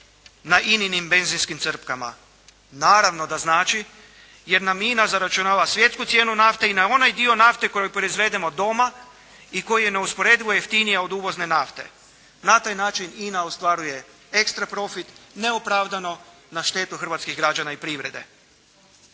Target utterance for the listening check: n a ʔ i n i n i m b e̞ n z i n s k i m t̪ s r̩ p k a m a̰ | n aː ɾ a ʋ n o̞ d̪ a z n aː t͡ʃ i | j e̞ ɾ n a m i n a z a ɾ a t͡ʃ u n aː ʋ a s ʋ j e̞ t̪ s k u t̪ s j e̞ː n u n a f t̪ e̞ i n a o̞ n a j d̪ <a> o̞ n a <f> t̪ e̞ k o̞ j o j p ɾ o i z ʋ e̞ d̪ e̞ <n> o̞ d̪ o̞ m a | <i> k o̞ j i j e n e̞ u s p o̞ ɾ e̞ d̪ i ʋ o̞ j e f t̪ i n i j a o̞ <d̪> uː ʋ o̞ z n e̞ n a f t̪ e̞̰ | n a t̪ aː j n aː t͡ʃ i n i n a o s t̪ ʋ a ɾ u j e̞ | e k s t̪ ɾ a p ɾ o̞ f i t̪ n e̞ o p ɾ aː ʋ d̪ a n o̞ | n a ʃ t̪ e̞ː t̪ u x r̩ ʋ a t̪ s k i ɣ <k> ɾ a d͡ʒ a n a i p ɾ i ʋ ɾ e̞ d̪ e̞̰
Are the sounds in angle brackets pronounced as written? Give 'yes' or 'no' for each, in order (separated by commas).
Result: no, yes, no, yes, yes, no